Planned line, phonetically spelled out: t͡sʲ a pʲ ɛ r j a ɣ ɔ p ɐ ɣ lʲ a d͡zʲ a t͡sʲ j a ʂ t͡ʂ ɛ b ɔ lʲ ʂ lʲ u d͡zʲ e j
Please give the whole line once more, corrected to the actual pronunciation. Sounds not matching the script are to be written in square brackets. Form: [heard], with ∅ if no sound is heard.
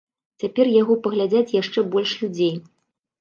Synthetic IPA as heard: t͡sʲ a pʲ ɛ r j a ɣ ɔ p ɐ ɣ lʲ a d͡zʲ a t͡sʲ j a ʂ t͡ʂ ɛ b ɔ lʲ ʂ lʲ u d͡zʲ e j